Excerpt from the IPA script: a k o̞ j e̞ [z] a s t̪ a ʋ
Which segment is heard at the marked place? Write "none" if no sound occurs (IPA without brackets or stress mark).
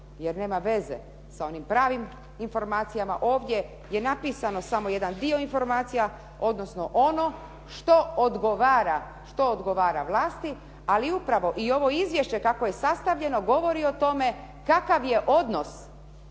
s